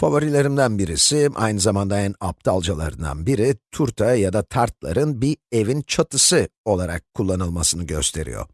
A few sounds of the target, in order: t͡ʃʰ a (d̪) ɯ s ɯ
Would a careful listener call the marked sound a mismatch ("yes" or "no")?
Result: yes